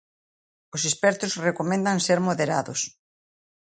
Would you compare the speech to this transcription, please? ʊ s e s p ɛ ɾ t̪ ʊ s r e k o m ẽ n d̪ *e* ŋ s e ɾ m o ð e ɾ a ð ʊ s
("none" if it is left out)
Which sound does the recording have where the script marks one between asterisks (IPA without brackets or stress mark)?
a